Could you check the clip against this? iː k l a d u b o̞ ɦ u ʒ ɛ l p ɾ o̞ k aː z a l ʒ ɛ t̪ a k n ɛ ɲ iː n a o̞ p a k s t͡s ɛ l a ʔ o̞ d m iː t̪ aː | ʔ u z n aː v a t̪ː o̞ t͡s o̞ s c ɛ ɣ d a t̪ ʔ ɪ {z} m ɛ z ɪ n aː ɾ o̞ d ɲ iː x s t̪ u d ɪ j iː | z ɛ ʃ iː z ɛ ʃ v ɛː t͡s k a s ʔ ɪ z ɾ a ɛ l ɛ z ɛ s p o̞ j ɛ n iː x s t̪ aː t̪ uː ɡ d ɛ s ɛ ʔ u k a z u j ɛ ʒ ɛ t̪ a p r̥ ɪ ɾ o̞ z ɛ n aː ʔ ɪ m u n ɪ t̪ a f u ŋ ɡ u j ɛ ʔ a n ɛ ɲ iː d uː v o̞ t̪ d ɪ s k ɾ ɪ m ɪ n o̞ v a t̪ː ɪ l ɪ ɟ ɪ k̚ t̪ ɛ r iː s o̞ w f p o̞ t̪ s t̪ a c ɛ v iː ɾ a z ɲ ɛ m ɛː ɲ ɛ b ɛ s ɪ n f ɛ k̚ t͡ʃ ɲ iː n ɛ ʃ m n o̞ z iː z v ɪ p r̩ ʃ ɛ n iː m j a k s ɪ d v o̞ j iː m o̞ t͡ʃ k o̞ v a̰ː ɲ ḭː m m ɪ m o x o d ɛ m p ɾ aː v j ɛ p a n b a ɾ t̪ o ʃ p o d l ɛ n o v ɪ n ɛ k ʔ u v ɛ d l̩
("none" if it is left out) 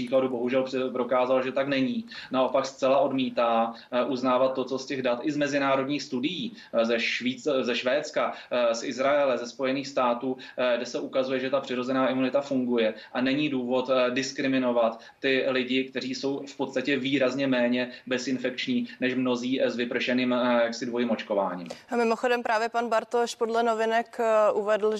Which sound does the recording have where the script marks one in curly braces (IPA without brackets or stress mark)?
z